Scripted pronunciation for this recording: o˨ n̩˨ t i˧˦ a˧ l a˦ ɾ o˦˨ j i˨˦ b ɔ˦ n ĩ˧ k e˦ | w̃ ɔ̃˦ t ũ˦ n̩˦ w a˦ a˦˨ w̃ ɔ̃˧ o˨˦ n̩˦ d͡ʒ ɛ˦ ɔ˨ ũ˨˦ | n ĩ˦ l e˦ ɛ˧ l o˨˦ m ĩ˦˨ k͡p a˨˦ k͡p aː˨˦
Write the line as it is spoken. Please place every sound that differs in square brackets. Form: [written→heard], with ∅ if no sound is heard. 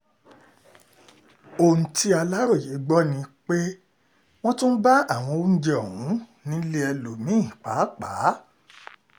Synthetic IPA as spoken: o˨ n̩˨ t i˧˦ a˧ l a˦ ɾ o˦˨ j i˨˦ [b→ɡ͡b] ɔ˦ n ĩ˧ [k→k͡p] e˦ | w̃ ɔ̃˦ t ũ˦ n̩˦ [w→b] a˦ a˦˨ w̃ ɔ̃˧ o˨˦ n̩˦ d͡ʒ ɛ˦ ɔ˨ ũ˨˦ | n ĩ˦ l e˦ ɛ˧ l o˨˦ m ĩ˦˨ k͡p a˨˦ k͡p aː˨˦

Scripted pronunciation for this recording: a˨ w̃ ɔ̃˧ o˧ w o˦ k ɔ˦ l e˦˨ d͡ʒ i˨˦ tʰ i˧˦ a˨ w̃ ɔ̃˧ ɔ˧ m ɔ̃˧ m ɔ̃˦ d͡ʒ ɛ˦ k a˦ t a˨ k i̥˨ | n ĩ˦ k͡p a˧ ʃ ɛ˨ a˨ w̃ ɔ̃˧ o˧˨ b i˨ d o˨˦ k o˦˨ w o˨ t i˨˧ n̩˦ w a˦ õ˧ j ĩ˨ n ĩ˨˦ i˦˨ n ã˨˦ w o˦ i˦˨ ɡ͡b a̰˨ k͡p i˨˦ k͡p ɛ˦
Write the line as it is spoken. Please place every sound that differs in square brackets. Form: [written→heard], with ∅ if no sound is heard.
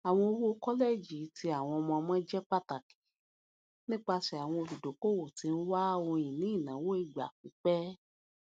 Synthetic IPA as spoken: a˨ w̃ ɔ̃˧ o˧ w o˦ k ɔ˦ l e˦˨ d͡ʒ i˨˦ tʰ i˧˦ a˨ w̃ ɔ̃˧ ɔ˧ m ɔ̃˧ m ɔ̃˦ d͡ʒ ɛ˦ [k→k͡p] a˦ t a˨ k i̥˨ | n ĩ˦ k͡p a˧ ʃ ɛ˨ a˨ w̃ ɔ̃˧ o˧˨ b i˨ d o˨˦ k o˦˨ w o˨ t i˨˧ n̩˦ w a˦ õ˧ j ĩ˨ n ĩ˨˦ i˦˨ n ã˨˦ w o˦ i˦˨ ɡ͡b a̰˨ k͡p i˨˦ k͡p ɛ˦

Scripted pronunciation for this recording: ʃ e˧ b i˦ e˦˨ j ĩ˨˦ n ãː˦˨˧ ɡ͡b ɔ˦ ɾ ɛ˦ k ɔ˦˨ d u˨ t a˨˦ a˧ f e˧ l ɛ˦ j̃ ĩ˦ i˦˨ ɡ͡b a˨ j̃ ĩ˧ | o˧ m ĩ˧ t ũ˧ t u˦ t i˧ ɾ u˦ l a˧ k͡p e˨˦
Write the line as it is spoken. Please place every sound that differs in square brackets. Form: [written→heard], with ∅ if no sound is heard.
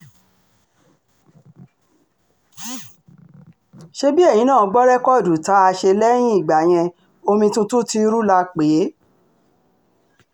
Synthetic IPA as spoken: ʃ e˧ b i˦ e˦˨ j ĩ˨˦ n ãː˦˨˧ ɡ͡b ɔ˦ ɾ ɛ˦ k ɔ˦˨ d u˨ t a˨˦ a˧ [f→ʃ] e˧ l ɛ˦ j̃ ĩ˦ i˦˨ ɡ͡b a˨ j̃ [ĩ˧→ɛ̃˧] | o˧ m ĩ˧ t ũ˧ t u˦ t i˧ ɾ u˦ l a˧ k͡p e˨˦

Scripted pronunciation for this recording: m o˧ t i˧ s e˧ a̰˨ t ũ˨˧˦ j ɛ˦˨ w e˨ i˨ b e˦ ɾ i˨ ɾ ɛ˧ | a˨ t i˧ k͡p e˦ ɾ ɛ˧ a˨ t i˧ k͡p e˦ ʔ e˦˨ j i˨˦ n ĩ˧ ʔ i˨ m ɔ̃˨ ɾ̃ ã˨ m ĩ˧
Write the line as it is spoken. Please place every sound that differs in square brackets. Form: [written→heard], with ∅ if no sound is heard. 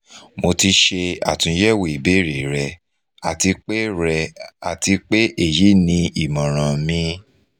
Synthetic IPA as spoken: m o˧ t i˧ [s→ʃ] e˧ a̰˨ t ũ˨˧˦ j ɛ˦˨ w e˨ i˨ b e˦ ɾ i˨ ɾ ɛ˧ | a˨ t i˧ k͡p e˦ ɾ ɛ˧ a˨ t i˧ k͡p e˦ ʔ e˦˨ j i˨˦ n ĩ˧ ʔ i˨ m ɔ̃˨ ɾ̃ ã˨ m ĩ˧

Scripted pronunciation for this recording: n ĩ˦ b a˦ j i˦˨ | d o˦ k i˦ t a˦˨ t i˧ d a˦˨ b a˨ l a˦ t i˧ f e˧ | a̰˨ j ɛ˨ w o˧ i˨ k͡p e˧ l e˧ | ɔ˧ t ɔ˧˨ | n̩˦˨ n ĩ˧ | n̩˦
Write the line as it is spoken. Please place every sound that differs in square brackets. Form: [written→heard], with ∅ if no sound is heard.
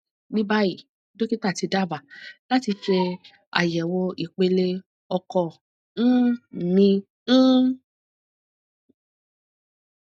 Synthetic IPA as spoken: n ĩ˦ b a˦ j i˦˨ | d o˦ k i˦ t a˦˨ t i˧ d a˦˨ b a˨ l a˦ t i˧ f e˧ | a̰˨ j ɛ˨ w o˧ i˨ k͡p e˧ l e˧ | ɔ˧ [t→k] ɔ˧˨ | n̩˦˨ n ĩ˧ | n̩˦

